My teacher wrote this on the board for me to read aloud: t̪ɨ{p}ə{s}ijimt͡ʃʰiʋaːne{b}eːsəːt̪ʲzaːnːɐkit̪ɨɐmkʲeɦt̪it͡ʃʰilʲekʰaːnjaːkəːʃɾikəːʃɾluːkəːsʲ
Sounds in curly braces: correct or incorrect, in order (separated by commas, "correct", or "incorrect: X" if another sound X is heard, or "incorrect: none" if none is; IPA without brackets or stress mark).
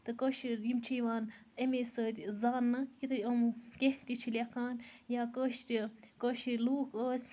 incorrect: k, incorrect: ʃ, incorrect: m